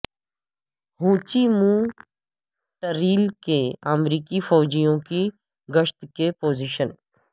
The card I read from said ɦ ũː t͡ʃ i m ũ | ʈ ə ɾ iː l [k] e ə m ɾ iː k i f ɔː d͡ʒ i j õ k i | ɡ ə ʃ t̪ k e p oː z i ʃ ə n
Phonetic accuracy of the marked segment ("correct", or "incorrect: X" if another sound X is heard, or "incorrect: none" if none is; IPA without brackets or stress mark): correct